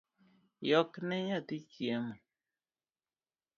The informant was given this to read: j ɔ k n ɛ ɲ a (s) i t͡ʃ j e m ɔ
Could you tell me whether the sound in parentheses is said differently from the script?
yes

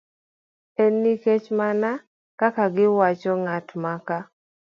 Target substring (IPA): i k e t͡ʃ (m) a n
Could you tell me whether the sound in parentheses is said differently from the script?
no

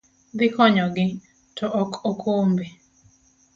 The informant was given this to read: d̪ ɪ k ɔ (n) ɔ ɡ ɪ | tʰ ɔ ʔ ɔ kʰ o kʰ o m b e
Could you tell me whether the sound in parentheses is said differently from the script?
yes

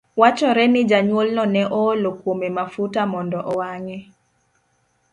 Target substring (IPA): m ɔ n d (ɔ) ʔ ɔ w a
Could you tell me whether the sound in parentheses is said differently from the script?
no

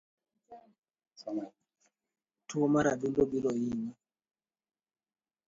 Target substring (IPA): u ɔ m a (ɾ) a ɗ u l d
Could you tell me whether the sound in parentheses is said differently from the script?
no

